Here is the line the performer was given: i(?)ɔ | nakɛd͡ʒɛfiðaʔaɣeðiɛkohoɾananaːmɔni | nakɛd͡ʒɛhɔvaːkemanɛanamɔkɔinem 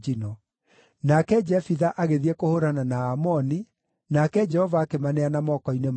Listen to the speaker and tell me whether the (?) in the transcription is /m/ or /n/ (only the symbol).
n